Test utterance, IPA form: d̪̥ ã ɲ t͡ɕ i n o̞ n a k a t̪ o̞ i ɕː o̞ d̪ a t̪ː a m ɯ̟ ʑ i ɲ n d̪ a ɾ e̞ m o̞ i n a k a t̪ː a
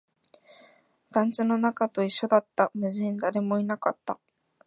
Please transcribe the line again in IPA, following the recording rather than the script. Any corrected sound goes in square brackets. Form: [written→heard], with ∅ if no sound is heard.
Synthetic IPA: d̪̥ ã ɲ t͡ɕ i n o̞ n a k a t̪ o̞ i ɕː o̞ d̪ a t̪ː a m ɯ̟ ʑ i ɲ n d̪ a ɾ e̞ m o̞ i n a k a t̪ː a

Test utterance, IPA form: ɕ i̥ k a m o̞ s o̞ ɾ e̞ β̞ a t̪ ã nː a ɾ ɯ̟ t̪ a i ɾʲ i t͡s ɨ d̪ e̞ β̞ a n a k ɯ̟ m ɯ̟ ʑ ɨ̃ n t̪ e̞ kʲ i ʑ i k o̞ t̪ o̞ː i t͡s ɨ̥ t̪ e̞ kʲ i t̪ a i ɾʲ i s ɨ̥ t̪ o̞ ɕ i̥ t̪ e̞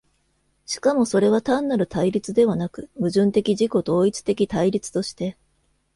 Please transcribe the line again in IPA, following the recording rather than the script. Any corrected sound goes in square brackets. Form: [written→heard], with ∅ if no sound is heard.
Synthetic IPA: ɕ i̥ k a m o̞ s o̞ ɾ e̞ β̞ a t̪ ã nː a ɾ ɯ̟ t̪ a i ɾʲ i t͡s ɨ d̪ e̞ β̞ a n a k ɯ̟ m ɯ̟ ʑ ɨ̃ n t̪ e̞ kʲ i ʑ i k o̞ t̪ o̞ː i t͡s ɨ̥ t̪ e̞ kʲ i t̪ a i ɾʲ i [s→t͡s] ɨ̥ t̪ o̞ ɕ i̥ t̪ e̞

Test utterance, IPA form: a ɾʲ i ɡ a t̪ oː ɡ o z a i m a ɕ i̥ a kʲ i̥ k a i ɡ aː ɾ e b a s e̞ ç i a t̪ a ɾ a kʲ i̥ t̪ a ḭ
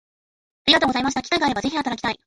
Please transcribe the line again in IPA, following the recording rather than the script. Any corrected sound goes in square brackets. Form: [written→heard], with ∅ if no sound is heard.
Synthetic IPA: a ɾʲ i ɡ a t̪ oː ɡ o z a i m a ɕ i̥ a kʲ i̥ k a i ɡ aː ɾ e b a [s→z] e̞ ç i a t̪ a ɾ a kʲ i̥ t̪ a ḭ

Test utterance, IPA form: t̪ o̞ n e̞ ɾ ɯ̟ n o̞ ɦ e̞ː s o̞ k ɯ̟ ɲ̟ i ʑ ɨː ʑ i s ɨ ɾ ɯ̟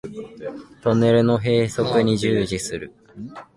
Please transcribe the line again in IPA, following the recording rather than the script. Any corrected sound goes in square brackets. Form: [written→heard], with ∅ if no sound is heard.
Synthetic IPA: t̪ o̞ n e̞ ɾ ɯ̟ n o̞ ɦ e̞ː s o̞ k ɯ̟ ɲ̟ i ʑ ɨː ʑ i s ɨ ɾ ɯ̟

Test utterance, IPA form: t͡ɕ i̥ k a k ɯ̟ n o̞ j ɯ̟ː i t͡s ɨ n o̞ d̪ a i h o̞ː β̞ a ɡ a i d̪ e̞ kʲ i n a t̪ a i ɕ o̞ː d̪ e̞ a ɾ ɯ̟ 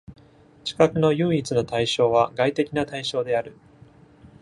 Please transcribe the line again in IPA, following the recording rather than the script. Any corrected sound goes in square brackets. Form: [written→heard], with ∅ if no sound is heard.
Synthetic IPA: t͡ɕ i̥ k a k ɯ̟ n o̞ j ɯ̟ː i t͡s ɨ n o̞ [d̪→t̪] a i [h→ɕ] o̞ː β̞ a ɡ a i [d̪→t̪] e̞ kʲ i n a t̪ a i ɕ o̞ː d̪ e̞ a ɾ ɯ̟

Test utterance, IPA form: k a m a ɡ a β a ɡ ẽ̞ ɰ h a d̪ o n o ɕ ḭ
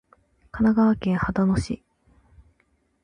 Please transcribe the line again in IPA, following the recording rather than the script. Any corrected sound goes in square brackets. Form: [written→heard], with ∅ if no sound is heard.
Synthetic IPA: k a [m→n] a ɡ a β a [ɡ→k] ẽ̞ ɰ h a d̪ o n o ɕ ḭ

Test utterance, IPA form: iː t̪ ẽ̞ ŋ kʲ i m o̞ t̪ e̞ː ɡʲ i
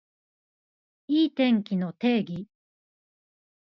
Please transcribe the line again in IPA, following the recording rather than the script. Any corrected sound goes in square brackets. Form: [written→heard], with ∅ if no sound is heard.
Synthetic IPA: iː t̪ ẽ̞ ŋ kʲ i [m→n] o̞ t̪ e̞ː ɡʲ i

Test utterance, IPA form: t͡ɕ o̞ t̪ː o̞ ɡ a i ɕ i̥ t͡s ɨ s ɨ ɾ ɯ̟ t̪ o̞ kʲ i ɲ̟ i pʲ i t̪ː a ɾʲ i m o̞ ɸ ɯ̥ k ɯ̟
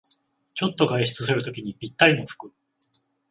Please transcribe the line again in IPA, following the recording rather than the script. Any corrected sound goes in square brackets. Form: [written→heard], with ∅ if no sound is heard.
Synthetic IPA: t͡ɕ o̞ t̪ː o̞ ɡ a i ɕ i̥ t͡s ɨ s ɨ ɾ ɯ̟ t̪ o̞ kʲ i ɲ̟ i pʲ i t̪ː a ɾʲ i [m→n] o̞ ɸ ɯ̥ k ɯ̟

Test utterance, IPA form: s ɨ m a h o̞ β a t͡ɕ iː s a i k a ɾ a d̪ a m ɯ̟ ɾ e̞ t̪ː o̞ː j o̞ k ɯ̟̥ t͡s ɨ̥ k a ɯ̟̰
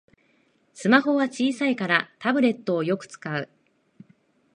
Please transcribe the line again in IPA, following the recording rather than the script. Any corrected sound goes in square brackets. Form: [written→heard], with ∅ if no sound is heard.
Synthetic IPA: s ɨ m a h o̞ β a t͡ɕ iː s a i k a ɾ a [d̪→t̪] a [m→b] ɯ̟ ɾ e̞ t̪ː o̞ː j o̞ k ɯ̟̥ t͡s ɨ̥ k a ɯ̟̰

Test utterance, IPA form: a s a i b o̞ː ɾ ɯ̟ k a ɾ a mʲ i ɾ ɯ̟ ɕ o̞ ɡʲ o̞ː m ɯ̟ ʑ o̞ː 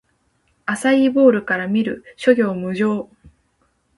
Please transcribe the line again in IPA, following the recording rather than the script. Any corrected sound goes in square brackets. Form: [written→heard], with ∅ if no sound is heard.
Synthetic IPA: a s a i b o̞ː ɾ ɯ̟ k a ɾ a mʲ i ɾ ɯ̟ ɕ o̞ ɡʲ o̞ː m ɯ̟ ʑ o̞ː

